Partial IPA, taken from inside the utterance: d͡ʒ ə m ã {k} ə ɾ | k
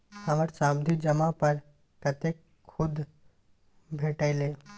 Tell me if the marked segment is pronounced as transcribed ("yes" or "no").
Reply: no